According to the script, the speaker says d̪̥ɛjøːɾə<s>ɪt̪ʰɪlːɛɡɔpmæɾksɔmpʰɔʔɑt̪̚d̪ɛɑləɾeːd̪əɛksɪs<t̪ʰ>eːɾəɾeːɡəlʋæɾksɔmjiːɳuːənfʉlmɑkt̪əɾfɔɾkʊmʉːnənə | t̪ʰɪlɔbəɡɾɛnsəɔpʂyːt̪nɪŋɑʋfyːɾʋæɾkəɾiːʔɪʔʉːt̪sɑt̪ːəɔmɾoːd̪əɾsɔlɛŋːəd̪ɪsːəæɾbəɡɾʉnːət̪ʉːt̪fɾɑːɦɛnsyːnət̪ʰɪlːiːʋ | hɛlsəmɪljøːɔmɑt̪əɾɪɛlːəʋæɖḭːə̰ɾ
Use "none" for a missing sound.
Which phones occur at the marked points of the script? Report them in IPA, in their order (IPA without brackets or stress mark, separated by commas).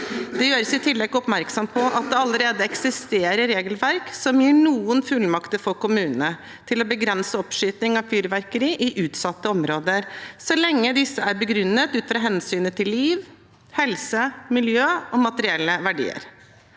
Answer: s, t̪